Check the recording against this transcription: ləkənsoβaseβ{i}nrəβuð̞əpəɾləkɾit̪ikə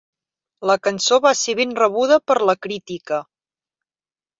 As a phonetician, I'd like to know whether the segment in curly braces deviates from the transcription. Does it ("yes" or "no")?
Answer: yes